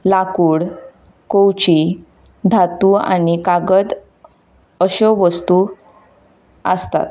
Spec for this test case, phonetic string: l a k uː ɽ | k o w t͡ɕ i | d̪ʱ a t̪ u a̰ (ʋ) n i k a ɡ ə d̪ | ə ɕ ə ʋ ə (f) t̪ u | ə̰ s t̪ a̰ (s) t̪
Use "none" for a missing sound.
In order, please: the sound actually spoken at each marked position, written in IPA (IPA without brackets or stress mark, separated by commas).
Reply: none, s, none